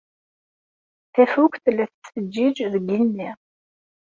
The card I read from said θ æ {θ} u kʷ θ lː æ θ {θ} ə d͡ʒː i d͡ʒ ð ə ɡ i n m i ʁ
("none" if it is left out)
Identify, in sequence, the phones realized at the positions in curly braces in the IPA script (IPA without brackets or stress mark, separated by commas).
f, s